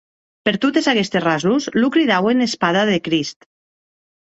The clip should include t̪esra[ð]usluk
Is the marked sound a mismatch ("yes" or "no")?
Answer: yes